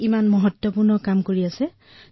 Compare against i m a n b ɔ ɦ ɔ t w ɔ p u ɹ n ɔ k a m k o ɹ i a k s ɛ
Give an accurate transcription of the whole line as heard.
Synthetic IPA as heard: i m a n m ɔ ɦ ɔ t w ɔ p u ɹ n ɔ k a m k o ɹ i a s ɛ